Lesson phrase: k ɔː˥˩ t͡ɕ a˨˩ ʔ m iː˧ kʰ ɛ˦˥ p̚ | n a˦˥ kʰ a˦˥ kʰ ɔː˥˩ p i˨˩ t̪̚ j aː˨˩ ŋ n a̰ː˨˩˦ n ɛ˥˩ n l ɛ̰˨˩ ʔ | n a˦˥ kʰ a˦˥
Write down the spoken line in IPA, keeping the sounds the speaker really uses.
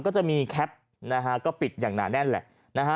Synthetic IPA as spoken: k ɔː˥˩ t͡ɕ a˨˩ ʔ m iː˧ kʰ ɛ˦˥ p̚ | n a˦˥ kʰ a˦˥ k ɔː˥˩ p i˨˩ t̪̚ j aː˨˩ ŋ n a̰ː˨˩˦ n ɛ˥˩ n l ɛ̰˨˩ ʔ | n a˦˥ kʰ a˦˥